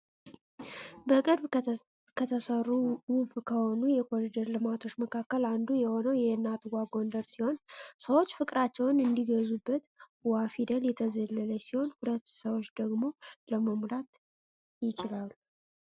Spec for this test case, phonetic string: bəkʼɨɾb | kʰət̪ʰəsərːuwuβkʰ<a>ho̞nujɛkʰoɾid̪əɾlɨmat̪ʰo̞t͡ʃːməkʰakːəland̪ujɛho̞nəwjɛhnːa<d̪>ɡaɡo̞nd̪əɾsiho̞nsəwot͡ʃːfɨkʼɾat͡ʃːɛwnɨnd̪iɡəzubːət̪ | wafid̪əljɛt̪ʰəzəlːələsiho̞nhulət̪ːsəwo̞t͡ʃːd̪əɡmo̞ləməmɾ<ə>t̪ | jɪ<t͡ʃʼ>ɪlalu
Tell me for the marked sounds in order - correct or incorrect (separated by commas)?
incorrect, incorrect, incorrect, incorrect